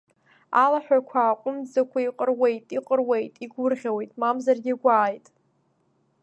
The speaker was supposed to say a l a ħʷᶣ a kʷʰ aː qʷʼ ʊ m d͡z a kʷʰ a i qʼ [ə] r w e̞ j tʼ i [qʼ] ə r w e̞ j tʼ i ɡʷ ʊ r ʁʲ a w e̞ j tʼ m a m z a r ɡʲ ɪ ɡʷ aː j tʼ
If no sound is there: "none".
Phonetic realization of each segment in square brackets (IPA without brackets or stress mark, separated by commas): ə, qʼ